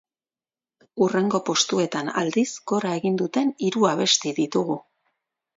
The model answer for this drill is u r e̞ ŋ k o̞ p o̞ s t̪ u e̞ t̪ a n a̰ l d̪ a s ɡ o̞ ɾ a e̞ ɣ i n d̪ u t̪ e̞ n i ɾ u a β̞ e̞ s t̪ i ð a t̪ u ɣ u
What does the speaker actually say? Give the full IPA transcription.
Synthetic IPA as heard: u r e̞ ŋ ɡ o̞ p o̞ s t̪ u e̞ t̪ a n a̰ l d̪ i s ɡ o̞ ɾ a e̞ ɣ i n d̪ u t̪ e̞ n i ɾ u a β̞ e̞ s t̪ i ð i t̪ u ɣ u